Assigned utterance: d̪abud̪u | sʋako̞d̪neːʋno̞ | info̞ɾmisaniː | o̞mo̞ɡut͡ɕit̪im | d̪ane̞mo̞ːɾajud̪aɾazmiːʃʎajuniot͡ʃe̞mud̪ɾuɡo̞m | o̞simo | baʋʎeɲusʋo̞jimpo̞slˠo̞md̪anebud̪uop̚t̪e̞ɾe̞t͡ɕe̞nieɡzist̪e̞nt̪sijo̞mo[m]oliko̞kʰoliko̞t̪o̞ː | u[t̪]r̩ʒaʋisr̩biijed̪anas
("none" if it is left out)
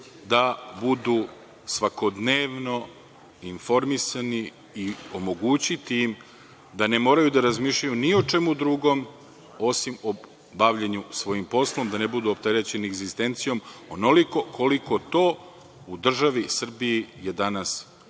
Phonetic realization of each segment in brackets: n, d̪

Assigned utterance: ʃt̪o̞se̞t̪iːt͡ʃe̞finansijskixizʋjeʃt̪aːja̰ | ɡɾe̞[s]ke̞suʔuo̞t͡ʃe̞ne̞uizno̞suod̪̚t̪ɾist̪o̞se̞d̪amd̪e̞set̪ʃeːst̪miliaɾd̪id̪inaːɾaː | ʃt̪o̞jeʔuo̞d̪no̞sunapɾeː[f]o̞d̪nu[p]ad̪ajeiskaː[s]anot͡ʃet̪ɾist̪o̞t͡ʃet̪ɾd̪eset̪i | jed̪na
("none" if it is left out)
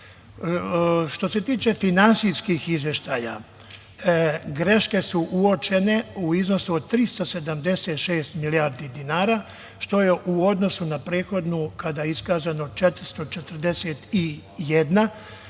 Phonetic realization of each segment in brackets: ʃ, x, k, z

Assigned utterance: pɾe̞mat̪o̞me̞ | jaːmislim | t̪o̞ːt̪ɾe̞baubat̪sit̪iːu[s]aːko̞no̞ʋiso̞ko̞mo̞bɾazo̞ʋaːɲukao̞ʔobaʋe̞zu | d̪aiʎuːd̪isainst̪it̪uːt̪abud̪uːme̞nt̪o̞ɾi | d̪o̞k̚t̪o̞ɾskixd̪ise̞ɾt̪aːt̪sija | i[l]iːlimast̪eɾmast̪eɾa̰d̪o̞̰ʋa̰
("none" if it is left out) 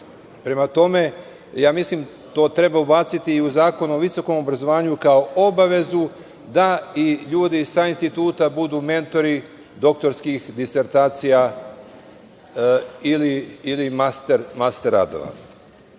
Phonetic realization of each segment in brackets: z, l

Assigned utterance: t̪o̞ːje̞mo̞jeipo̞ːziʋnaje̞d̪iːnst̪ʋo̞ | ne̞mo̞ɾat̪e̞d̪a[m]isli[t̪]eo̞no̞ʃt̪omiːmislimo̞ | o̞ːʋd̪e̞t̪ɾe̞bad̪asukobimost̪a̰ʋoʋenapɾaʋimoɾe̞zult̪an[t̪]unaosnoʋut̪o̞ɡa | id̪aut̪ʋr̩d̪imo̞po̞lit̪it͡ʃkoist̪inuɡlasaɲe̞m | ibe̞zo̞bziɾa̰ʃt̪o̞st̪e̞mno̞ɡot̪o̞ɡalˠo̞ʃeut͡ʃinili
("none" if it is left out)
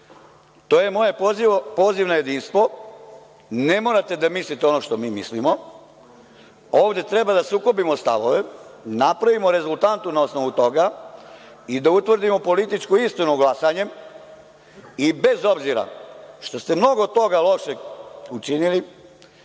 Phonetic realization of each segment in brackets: m, t̪, t̪

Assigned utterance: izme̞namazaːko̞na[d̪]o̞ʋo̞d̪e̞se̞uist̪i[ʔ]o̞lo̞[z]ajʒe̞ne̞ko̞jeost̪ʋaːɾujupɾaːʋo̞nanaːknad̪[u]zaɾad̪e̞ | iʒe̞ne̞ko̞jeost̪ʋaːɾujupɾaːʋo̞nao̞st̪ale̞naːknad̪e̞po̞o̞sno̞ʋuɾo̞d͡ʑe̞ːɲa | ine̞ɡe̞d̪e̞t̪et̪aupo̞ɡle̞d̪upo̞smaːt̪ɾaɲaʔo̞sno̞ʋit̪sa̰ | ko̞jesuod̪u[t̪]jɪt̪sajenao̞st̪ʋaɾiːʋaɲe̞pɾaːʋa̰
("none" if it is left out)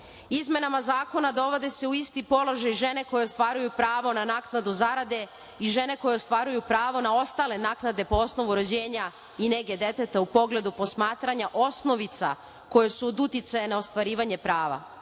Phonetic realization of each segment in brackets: d̪, p, ʒ, u, t̪

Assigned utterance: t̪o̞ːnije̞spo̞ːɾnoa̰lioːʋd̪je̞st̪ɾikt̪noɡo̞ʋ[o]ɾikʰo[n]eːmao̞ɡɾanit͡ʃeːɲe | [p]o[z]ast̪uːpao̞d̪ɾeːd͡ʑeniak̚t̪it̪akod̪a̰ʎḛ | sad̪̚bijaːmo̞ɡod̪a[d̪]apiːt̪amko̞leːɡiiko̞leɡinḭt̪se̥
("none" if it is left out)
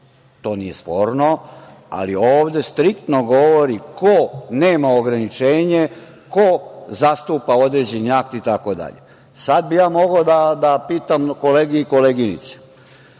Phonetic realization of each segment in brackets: o, n, k, z, d̪

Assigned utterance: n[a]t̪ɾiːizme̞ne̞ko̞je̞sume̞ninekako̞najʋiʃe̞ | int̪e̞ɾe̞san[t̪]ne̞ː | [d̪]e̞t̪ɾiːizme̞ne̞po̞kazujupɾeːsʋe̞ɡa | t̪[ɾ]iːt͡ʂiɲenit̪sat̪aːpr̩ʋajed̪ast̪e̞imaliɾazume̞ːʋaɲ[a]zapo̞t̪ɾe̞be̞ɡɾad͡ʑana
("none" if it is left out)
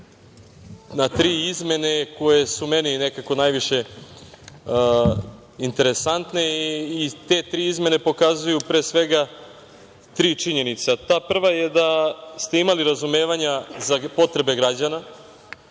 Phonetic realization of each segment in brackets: a, t̪, t̪, ɾ, a

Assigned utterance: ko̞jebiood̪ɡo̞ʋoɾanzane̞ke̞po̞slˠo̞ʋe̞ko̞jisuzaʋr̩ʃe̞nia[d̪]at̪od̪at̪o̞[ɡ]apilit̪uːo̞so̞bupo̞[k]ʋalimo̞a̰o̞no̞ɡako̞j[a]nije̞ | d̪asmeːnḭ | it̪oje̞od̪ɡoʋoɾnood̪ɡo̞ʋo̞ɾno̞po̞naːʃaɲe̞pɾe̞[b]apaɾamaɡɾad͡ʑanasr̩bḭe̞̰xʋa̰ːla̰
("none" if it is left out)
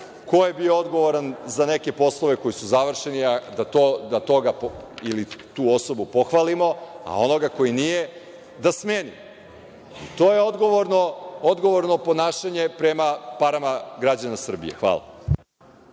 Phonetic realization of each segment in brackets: d̪, ɡ, x, i, m

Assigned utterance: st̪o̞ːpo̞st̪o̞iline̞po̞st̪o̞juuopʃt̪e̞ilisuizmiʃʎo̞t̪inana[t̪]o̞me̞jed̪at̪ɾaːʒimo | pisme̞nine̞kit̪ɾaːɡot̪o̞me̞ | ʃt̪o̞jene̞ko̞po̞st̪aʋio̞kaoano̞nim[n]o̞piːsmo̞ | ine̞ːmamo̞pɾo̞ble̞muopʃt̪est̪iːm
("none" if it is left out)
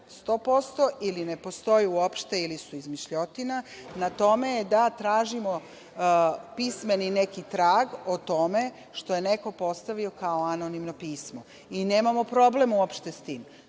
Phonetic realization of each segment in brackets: t̪, n

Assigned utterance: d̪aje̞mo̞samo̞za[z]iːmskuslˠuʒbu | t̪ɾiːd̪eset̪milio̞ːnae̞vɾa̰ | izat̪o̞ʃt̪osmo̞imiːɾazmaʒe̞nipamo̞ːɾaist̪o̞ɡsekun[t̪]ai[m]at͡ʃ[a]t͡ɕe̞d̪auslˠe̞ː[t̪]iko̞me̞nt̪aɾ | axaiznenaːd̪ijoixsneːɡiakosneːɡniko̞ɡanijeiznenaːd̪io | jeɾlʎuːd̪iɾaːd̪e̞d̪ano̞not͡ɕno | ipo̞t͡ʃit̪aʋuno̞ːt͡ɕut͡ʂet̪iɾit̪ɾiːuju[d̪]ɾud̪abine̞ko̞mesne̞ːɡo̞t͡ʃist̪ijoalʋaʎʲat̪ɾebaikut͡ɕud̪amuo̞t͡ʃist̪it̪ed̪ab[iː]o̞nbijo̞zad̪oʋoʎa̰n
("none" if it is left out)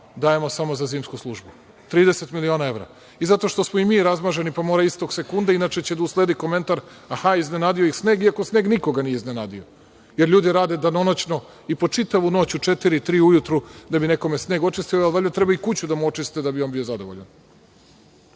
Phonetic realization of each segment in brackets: z, d̪, n, e, d̪, t̪, i

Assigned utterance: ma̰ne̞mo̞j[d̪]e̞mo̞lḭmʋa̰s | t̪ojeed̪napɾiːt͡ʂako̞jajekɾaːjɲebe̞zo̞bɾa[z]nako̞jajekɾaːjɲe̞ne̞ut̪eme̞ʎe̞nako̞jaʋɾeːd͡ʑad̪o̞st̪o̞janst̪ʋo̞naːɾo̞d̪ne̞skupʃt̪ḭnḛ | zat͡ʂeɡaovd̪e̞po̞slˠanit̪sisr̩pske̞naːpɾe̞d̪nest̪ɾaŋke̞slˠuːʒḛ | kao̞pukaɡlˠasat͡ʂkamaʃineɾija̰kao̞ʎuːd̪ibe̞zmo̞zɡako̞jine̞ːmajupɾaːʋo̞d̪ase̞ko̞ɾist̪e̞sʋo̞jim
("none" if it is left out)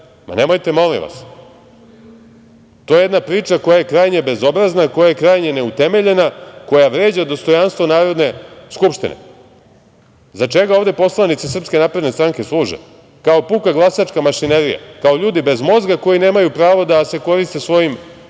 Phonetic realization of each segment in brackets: t̪, z

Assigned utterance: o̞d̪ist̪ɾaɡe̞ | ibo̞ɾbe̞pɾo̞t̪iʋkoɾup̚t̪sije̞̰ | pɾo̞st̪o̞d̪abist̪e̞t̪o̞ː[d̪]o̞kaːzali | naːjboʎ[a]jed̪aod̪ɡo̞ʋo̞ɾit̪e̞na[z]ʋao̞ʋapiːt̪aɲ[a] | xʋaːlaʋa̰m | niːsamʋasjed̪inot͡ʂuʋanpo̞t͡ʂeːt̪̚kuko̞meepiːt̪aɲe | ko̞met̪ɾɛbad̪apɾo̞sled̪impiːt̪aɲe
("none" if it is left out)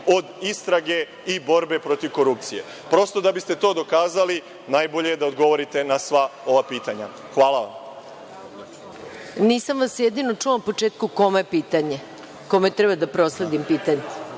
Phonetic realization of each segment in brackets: d̪, e, s, a

